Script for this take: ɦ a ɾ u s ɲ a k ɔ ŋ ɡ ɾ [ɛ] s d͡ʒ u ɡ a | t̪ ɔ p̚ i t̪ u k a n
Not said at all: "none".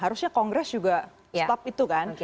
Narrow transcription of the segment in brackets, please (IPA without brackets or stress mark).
ɛ